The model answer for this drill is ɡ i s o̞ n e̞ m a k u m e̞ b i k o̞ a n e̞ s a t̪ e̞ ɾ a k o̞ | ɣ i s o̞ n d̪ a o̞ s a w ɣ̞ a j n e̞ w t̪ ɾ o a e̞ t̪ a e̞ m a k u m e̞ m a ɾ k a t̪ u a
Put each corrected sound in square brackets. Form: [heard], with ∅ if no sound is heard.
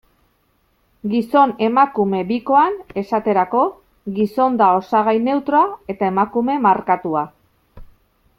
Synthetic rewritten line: ɡ i s o̞ n e̞ m a k u m e̞ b i k o̞ a n e̞ s a t̪ e̞ ɾ a k o̞ | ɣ i s o̞ n d̪ a o̞ s a [∅] ɣ̞ a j n e̞ w t̪ ɾ o a e̞ t̪ a e̞ m a k u m e̞ m a ɾ k a t̪ u a